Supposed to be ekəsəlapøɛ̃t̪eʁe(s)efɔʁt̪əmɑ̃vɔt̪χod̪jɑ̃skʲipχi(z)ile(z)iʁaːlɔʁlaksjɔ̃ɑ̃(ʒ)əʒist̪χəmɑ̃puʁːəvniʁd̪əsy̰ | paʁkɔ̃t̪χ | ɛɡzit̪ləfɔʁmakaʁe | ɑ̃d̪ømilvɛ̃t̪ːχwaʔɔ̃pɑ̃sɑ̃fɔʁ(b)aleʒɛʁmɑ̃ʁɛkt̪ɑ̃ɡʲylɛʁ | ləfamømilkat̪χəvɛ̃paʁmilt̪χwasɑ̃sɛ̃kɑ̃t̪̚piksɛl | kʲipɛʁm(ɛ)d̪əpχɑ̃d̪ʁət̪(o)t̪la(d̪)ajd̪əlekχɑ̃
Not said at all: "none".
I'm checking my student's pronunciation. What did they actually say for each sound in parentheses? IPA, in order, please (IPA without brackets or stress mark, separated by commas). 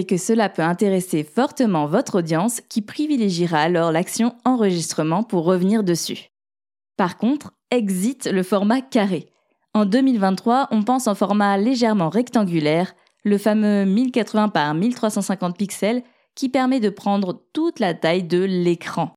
s, v, ʒ, ʁ, m, ɛ, u, t̪